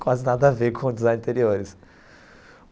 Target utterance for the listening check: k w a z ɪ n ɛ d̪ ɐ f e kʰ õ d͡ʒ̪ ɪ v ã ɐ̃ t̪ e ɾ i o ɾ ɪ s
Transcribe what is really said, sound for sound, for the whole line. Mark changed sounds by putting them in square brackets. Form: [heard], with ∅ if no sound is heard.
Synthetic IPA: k w a z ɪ n [a] d̪ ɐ [v] e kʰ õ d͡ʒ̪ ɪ [z] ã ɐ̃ t̪ e ɾ i o ɾ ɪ s

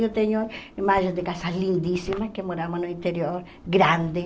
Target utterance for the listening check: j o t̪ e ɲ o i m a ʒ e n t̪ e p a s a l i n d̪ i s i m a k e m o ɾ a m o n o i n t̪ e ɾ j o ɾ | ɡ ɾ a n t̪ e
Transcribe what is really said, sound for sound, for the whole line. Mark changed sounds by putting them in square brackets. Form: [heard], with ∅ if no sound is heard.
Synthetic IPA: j o t̪ e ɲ o i m a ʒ e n [d̪] e [k] a s a l i n d̪ i s i m a k e m o ɾ a m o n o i n t̪ e ɾ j o ɾ | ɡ ɾ a n [d̪] e

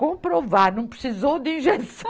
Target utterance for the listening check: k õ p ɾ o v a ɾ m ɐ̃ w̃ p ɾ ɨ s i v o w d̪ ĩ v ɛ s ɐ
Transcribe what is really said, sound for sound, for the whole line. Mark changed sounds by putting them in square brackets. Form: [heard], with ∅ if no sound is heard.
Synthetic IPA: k õ p ɾ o v a ɾ [n] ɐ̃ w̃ p ɾ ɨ s i [z] o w d̪ ĩ [ʒ] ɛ s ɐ

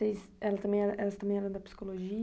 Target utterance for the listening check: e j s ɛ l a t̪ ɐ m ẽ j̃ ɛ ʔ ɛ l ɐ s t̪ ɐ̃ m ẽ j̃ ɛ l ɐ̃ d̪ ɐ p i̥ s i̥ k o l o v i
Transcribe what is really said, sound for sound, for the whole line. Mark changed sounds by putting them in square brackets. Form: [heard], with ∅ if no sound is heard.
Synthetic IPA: e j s ɛ l [ɐ] t̪ ɐ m ẽ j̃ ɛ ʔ ɛ l ɐ s t̪ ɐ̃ m ẽ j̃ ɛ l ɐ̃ d̪ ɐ p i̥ s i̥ k o l o [ʒ] i

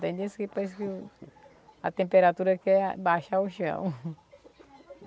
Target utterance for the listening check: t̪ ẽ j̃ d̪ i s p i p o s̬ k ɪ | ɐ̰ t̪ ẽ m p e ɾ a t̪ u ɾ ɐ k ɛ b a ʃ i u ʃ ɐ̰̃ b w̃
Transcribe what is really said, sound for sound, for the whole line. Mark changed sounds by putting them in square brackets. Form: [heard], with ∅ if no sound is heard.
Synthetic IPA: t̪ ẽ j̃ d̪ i s [k] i p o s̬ k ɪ | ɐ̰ t̪ ẽ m p e ɾ a t̪ u ɾ ɐ k ɛ b a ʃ [a] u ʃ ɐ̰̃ [∅] w̃

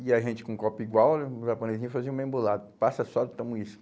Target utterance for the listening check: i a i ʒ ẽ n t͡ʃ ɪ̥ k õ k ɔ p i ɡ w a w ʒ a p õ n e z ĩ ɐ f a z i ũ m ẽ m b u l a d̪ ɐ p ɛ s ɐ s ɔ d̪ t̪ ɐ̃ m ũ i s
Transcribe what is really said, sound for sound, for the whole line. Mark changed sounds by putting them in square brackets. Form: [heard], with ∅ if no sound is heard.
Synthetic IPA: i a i ʒ ẽ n t͡ʃ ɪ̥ k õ k ɔ p i ɡ w a w ʒ a p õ n e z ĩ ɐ f a z i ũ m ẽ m b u l a d̪ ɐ p [a] s ɐ s ɔ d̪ t̪ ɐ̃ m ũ i s

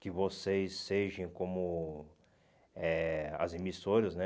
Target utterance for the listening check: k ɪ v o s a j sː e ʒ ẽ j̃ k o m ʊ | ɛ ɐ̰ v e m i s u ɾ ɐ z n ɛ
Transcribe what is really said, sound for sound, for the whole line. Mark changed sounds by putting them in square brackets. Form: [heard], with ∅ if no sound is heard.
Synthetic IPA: k ɪ v o s [e] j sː e ʒ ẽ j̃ k [õ] m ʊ | ɛ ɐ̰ [z] e m i s [o] ɾ ɐ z n ɛ

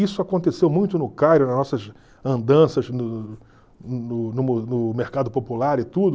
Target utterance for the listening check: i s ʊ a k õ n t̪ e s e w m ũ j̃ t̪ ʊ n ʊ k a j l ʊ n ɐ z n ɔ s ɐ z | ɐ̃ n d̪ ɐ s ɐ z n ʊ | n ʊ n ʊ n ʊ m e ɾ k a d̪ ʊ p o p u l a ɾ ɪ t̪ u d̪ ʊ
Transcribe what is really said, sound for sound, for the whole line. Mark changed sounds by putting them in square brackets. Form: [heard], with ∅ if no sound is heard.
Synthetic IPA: i s ʊ a k õ n t̪ e s e w m ũ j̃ t̪ ʊ n ʊ k a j [ɾ] ʊ n ɐ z n ɔ s ɐ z | ɐ̃ n d̪ [ɐ̃] s ɐ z n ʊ | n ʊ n ʊ n ʊ m e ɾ k a d̪ ʊ p o p u l a ɾ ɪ t̪ u d̪ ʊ

